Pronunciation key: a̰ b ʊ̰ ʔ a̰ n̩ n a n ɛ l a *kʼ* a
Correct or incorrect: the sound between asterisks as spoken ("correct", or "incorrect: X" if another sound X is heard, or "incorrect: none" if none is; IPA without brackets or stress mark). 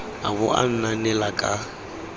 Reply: correct